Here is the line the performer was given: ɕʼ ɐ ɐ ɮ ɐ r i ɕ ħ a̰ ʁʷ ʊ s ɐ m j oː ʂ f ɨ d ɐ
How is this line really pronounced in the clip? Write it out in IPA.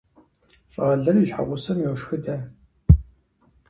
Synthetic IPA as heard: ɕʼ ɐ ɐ ɮ ɐ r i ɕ ħ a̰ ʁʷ ʊ s ɐ m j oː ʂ x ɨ d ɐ